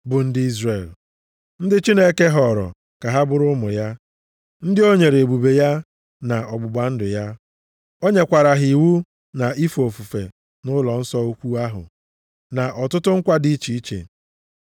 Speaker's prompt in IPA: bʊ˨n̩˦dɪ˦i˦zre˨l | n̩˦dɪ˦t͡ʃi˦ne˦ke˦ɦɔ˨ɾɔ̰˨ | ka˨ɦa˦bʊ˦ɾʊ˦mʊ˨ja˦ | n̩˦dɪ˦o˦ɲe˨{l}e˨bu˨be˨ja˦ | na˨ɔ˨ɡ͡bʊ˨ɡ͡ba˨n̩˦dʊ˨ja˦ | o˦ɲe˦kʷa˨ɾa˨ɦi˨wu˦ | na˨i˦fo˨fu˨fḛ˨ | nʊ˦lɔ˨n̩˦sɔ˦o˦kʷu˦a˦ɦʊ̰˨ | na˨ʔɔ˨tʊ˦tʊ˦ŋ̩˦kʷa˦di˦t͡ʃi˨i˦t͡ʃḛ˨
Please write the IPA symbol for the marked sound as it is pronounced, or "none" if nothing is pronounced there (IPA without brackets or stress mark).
ɾ